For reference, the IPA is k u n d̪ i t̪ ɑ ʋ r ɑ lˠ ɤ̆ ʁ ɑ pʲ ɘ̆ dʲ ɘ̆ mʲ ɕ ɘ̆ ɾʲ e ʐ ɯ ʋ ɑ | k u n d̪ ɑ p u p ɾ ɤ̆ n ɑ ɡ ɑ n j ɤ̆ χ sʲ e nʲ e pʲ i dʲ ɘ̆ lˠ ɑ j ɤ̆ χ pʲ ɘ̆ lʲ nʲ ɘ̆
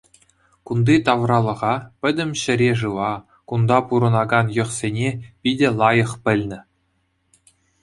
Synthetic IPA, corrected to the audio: k u n d̪ i t̪ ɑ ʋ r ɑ lˠ ɤ̆ ʁ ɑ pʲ ɘ̆ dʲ ɘ̆ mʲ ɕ ɘ̆ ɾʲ e ʐ ɯ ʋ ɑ | k u n d̪ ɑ p u ɾ ɤ̆ n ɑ ɡ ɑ n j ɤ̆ χ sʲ e nʲ e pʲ i dʲ ɘ̆ lˠ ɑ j ɤ̆ χ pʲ ɘ̆ lʲ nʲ ɘ̆